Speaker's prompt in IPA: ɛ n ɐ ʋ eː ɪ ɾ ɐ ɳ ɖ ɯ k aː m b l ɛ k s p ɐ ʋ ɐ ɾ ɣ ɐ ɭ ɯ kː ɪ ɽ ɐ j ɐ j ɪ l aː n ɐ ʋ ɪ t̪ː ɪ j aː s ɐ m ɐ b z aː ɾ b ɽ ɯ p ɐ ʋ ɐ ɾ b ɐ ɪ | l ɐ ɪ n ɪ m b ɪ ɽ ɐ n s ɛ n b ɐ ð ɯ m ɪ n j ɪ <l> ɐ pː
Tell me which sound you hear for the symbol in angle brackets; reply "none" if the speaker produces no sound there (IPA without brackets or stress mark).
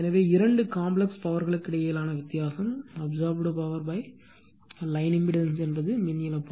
l